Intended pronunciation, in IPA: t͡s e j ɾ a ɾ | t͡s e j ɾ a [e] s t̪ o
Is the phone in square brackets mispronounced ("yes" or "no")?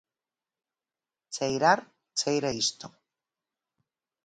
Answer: yes